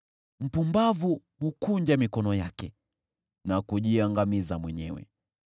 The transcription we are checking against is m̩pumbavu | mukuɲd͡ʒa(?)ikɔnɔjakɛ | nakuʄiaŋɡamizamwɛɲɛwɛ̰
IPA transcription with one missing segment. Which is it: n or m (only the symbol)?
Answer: m